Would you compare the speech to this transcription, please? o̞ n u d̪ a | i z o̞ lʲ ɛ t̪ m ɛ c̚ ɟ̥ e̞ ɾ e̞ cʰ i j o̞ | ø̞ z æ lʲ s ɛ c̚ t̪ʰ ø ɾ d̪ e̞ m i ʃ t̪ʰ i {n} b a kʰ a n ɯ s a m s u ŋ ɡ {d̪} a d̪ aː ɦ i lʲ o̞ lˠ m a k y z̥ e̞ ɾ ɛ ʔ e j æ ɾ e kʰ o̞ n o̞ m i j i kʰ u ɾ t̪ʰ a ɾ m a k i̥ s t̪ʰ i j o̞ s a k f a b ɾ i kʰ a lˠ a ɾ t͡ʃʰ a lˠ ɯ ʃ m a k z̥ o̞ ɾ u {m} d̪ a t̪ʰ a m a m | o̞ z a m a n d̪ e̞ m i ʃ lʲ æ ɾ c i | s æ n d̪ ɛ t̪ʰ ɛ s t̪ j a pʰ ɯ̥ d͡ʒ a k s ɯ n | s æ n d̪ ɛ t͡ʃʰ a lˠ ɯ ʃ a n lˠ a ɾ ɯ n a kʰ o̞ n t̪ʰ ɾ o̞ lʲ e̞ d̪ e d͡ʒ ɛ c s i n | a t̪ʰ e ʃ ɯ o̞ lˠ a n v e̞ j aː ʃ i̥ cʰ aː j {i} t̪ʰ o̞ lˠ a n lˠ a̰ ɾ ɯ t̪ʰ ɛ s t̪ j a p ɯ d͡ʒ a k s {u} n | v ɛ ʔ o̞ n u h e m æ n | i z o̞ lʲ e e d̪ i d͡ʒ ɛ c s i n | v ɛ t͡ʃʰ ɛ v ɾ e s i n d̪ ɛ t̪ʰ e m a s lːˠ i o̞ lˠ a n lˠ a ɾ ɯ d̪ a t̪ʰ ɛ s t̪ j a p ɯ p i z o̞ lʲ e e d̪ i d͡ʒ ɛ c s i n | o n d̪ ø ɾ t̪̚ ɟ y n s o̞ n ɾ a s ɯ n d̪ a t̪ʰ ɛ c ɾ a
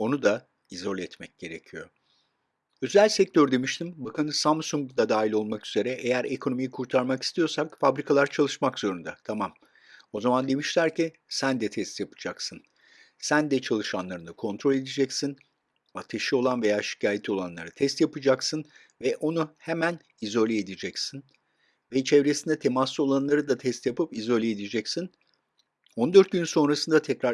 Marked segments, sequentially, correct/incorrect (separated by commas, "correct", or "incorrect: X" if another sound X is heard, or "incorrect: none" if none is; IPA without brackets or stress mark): incorrect: m, correct, incorrect: n, incorrect: e, incorrect: ɯ